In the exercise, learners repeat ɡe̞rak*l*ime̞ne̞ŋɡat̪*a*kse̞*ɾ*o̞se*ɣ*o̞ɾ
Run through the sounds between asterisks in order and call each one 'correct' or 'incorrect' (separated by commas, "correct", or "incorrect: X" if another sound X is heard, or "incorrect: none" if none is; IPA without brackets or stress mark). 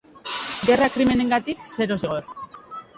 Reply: incorrect: ɾ, incorrect: i, correct, correct